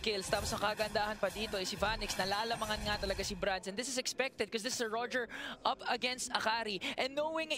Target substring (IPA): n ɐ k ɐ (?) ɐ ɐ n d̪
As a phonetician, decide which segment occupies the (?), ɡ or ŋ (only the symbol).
ɡ